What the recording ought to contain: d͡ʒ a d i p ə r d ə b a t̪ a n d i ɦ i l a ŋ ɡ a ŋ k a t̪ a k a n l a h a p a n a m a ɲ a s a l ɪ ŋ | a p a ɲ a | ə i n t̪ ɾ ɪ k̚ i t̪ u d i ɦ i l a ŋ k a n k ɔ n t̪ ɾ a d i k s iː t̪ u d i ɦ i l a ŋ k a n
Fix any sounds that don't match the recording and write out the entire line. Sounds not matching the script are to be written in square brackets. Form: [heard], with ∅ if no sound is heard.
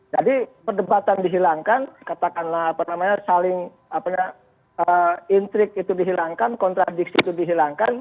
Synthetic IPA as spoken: d͡ʒ a d i p ə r d ə b a t̪ a n d i ɦ i l a ŋ [k] a [n] k a t̪ a k a n l a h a p a n a m a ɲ a s a l ɪ ŋ | a p a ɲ a | ə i n t̪ ɾ ɪ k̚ i t̪ u d i ɦ i l a ŋ k a n k ɔ n t̪ ɾ a d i k s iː t̪ u d i ɦ i l a ŋ k a n